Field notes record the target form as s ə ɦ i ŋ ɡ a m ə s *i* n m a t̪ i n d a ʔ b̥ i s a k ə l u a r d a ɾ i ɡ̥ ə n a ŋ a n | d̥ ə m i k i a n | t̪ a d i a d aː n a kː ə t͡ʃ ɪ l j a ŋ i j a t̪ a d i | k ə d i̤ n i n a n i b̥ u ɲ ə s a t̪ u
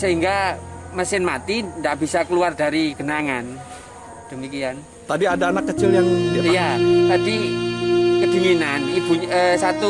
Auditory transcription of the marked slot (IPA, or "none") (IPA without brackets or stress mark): ɪ